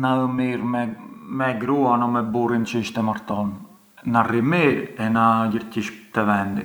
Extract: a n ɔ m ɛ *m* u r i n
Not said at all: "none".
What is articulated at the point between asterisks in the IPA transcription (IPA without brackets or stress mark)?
b